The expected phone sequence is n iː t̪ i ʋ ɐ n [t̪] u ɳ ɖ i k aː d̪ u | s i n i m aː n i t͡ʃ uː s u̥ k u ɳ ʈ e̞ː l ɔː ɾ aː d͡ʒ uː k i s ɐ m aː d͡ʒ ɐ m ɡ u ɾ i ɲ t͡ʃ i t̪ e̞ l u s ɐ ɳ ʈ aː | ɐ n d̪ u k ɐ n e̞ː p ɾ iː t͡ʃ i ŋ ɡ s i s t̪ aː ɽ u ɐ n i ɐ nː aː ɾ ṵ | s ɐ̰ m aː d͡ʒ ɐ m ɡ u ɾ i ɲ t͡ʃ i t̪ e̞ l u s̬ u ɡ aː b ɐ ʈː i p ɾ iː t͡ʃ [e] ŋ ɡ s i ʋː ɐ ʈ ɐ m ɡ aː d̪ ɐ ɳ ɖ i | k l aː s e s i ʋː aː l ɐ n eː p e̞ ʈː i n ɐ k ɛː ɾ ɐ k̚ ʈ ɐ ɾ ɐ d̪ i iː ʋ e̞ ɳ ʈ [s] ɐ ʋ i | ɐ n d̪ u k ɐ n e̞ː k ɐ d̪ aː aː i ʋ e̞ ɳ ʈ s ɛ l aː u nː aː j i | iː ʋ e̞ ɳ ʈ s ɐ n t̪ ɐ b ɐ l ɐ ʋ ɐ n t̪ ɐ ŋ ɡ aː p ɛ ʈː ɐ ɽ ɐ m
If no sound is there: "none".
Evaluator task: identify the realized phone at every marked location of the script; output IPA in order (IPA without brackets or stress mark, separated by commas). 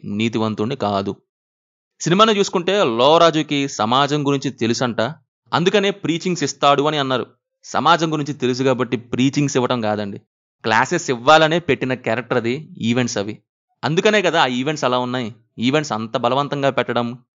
t̪, i, s